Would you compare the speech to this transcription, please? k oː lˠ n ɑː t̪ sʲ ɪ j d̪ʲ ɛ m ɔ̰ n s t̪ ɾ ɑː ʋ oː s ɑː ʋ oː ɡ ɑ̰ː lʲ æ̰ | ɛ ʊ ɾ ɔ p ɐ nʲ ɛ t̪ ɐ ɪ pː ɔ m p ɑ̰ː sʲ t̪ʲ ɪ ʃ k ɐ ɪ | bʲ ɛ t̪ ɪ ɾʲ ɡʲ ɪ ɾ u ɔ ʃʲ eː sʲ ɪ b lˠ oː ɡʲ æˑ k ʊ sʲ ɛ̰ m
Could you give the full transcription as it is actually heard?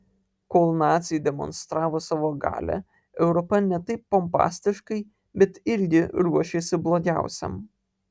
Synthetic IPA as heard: k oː lˠ n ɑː t̪ sʲ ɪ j d̪ʲ ɛ m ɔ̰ n s t̪ ɾ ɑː ʋ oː s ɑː ʋ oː ɡ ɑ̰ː lʲ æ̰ | ɛ ʊ ɾ ɔ p ɐ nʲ ɛ t̪ ɐ ɪ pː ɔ m p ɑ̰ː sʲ t̪ʲ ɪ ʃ k ɐ ɪ | bʲ ɛ t̪ ɪ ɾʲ ɡʲ ɪ ɾ u ɔ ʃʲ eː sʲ ɪ b lˠ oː ɡʲ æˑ ʊ sʲ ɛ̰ m

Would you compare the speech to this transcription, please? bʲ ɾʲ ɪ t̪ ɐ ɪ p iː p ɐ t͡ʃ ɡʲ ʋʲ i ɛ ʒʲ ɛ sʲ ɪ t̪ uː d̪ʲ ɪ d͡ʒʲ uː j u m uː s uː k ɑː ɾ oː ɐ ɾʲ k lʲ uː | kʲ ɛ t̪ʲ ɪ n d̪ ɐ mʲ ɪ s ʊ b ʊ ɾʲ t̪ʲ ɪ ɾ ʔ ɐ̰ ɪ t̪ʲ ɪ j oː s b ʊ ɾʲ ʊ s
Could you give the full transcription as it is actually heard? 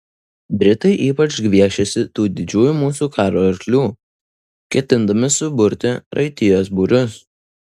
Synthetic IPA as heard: bʲ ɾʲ ɪ t̪ ɐ ɪ ʔ iː p ɐ t͡ʃ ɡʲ ʋʲ i ɛ ʃʲ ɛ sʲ ɪ t̪ uː d̪ʲ ɪ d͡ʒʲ uː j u m uː s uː k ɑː ɾ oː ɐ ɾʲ k lʲ uː | kʲ ɛ t̪ʲ ɪ n d̪ ɐ mʲ ɪ s ʊ b ʊ ɾʲ t̪ʲ ɪ ɾ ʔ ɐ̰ ɪ t̪ʲ ɪ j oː s b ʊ ɾʲ ʊ s

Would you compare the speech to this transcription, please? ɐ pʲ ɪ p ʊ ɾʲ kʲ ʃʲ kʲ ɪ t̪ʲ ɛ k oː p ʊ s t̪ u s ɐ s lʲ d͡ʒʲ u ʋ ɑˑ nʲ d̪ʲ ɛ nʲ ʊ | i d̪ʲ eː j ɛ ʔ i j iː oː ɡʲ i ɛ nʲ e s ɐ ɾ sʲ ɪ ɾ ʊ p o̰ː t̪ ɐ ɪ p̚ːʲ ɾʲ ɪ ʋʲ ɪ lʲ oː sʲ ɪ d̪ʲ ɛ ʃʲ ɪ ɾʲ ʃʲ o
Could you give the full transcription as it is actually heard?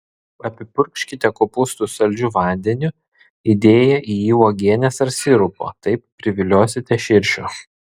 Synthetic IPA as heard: ɐ pʲ ɪ p ʊ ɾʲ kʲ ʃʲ kʲ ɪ t̪ʲ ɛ k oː p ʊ s t̪ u s ɐ lʲ d͡ʒʲ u ʋ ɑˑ nʲ d̪ʲ ɛ nʲ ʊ | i d̪ʲ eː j ɛ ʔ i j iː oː ɡʲ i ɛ nʲ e s ɐ ɾ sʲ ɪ ɾ ʊ p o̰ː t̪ ɐ ɪ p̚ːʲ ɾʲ ɪ ʋʲ ɪ lʲ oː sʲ ɪ t̪ʲ ɛ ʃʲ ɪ ɾʲ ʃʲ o

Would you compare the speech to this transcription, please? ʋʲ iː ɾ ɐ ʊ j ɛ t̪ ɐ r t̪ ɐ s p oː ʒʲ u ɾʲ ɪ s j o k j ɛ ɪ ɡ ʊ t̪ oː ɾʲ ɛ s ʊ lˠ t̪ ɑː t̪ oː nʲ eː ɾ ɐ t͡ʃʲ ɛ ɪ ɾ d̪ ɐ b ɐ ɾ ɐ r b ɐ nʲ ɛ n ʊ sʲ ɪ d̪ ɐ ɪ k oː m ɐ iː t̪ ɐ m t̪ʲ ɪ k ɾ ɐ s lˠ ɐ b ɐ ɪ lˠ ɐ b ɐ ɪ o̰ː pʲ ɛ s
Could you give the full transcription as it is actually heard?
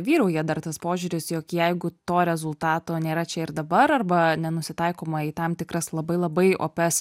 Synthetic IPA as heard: ʋʲ iː ɾ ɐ ʊ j ɛ d̪ ɐ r t̪ ɐ s p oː ʒʲ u ɾʲ ɪ s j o k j ɛ ɪ ɡ ʊ t̪ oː ɾʲ ɛ z ʊ lˠ t̪ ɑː t̪ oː nʲ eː ɾ ɐ t͡ʃʲ ɛ ɪ ɾ d̪ ɐ b ɐ ɾ ɐ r b ɐ nʲ ɛ n ʊ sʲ ɪ t̪ ɐ ɪ k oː m ɐ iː t̪ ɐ m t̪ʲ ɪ k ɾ ɐ s lˠ ɐ b ɐ ɪ lˠ ɐ b ɐ ɪ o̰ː pʲ ɛ s

